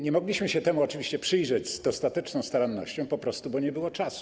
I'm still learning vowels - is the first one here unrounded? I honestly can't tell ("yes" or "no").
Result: yes